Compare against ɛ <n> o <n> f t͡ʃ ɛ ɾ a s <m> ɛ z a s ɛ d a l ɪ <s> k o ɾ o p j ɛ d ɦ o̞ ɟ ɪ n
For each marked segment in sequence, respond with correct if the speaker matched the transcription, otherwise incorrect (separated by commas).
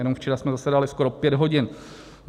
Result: correct, incorrect, correct, correct